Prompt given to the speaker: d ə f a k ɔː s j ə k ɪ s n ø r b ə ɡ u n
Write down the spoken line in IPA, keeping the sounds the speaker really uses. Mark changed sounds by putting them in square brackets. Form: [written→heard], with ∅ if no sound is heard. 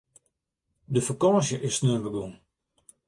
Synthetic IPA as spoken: d ə f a k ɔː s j ə [k→ʔ] ɪ s n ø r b ə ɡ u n